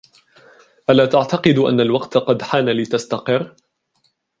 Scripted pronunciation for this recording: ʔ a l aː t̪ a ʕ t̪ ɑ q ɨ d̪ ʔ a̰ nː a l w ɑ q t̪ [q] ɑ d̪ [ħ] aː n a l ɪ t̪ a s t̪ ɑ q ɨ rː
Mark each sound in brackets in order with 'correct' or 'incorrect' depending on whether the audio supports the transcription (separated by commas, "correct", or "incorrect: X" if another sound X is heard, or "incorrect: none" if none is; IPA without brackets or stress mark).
correct, correct